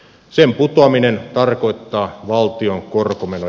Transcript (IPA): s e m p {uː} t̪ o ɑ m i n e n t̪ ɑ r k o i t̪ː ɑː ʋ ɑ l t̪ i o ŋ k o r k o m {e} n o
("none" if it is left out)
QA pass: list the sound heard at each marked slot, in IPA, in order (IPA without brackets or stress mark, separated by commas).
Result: u, e